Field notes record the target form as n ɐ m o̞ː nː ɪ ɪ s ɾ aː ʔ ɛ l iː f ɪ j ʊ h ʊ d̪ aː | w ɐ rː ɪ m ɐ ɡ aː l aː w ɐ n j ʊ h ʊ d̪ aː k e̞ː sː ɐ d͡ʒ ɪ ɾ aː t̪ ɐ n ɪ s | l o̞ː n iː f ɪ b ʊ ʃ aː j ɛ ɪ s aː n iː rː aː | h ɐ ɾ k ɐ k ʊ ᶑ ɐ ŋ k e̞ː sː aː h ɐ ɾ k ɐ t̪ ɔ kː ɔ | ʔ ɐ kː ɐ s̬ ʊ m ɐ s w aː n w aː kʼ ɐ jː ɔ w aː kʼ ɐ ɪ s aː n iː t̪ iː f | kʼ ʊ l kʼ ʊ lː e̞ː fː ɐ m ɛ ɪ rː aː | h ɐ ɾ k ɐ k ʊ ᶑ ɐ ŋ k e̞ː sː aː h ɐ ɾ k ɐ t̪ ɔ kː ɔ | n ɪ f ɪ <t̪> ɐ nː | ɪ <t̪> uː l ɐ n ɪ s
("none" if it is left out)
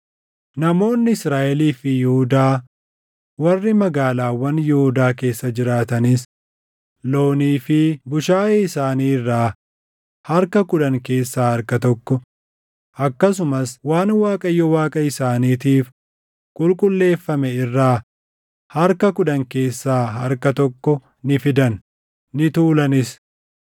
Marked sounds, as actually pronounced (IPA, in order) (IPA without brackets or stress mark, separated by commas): d̪, t̪